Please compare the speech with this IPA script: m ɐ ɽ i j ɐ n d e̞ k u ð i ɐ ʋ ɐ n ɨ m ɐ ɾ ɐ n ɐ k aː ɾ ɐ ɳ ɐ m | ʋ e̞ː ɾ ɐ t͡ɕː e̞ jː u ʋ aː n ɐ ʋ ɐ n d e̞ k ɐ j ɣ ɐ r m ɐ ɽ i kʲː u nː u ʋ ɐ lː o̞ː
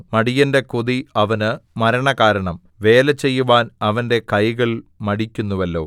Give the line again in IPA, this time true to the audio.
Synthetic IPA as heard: m ɐ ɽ i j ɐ n d e̞ k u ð i ɐ ʋ ɐ n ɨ m ɐ ɾ ɐ ɳ ɐ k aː ɾ ɐ ɳ ɐ m | ʋ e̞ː l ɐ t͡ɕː e̞ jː u ʋ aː n ɐ ʋ ɐ n d e̞ k ɐ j ɣ ɐ ɭ m ɐ ɽ i kʲː u nː u ʋ ɐ lː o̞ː